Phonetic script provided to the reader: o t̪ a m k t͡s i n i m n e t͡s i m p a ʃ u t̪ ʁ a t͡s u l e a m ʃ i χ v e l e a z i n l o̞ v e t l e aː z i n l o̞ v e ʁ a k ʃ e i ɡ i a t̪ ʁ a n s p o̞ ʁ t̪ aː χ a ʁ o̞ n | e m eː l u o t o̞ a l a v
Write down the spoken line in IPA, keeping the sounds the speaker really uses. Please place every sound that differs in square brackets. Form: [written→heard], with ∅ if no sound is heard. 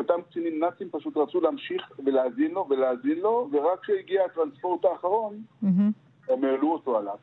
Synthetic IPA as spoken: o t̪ a m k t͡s i n i m n [e→a] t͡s i m p a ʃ u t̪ ʁ a t͡s u l e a m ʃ i χ v e l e a z i n l o̞ v e [t→∅] l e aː z i n l o̞ v e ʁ a k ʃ e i ɡ i a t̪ ʁ a n s p o̞ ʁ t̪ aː χ a ʁ o̞ n | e m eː l u o t o̞ a l a v